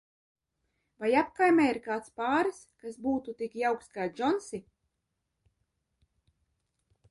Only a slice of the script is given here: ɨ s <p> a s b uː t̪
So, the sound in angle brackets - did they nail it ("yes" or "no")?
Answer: no